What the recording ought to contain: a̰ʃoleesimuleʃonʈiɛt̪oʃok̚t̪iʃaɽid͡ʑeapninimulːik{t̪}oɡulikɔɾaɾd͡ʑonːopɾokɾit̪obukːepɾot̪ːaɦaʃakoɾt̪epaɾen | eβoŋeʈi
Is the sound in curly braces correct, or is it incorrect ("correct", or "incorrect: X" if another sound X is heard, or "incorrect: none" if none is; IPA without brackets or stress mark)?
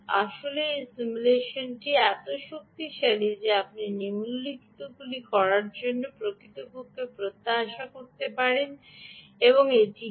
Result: correct